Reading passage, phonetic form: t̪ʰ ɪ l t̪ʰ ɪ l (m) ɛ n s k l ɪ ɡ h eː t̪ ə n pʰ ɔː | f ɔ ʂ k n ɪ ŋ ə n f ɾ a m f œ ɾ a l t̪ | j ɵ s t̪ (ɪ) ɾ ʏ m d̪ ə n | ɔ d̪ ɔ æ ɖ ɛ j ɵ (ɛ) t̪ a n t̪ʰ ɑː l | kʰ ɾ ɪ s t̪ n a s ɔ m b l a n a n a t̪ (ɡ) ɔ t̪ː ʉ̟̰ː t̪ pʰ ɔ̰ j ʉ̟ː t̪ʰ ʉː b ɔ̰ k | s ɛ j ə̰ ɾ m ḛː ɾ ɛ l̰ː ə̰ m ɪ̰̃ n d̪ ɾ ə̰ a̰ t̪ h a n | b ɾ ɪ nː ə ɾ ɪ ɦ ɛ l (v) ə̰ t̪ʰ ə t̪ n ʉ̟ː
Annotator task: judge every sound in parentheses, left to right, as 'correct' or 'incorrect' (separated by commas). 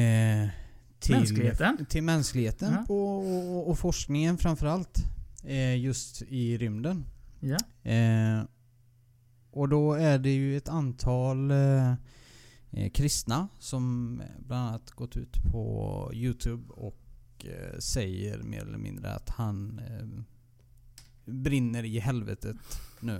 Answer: correct, correct, correct, correct, correct